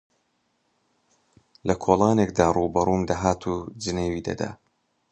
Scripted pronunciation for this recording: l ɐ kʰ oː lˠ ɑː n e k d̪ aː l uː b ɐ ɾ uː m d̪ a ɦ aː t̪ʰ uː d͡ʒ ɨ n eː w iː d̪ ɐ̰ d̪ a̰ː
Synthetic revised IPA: l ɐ kʰ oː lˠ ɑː n e k d̪ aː r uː b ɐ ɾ uː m d̪ a ɦ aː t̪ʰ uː d͡ʒ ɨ n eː w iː d̪ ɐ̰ d̪ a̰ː